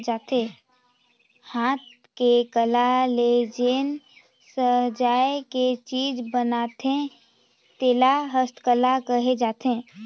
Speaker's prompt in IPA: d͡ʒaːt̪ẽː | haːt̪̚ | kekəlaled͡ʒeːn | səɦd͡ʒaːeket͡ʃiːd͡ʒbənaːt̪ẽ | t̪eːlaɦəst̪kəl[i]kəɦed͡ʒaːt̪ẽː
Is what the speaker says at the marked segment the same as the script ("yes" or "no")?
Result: no